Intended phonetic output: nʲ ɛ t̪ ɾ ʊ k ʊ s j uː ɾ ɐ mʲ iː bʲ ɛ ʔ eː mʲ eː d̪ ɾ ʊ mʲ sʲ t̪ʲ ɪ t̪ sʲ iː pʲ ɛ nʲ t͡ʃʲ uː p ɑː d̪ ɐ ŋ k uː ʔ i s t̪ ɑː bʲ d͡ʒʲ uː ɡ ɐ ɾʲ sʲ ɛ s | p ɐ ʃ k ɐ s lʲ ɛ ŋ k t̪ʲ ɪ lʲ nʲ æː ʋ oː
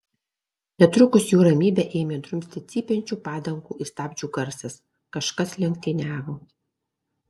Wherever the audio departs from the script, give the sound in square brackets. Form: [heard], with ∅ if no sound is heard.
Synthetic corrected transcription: nʲ ɛ t̪ ɾ ʊ k ʊ s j uː ɾ ɐ mʲ iː bʲ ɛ ʔ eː mʲ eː d̪ ɾ ʊ mʲ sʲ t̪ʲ ɪ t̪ sʲ iː pʲ ɛ nʲ t͡ʃʲ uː p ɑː d̪ ɐ ŋ k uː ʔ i s t̪ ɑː bʲ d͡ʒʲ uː ɡ ɐ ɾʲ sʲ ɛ s | [k] ɐ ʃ k ɐ s lʲ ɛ ŋ k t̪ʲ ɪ [∅] nʲ æː ʋ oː